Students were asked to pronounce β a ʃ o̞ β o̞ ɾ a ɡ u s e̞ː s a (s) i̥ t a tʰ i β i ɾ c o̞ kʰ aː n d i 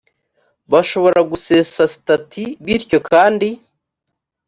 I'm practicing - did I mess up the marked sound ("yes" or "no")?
no